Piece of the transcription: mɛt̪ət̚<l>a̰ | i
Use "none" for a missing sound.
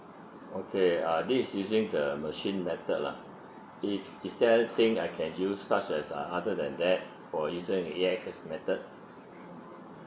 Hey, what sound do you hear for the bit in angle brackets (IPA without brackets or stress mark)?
l